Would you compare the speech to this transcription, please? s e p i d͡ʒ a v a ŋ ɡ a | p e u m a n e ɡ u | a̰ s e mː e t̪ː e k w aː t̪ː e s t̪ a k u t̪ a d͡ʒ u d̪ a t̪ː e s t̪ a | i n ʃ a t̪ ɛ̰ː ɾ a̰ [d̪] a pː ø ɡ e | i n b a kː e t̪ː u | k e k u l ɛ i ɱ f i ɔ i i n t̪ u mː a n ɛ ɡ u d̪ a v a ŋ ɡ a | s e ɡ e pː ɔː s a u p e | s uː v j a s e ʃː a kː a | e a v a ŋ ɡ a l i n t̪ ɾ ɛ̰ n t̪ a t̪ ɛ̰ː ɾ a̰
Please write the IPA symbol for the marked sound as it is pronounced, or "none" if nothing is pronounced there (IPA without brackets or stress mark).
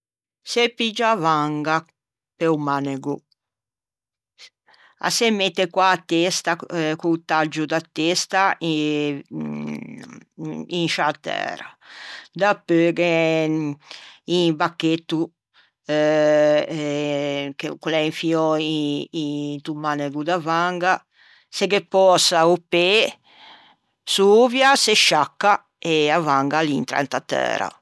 d̪